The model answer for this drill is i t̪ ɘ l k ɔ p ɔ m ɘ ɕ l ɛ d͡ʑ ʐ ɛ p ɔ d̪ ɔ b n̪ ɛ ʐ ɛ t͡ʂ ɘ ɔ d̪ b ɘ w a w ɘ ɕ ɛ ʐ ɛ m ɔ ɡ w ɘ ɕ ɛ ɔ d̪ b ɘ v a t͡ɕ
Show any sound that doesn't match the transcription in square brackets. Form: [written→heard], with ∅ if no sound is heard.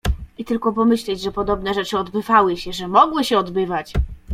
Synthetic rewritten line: i t̪ ɘ l k ɔ p ɔ m ɘ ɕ l ɛ d͡ʑ ʐ ɛ p ɔ d̪ ɔ b n̪ ɛ ʐ ɛ t͡ʂ ɘ ɔ d̪ b ɘ [w→v] a w ɘ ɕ ɛ ʐ ɛ m ɔ ɡ w ɘ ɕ ɛ ɔ d̪ b ɘ v a t͡ɕ